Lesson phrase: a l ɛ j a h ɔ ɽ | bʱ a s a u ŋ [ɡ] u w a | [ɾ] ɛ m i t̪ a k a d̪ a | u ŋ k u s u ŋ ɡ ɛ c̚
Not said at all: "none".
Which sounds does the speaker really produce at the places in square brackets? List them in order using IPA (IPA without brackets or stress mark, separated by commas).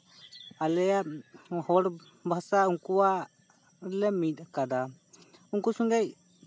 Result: k, l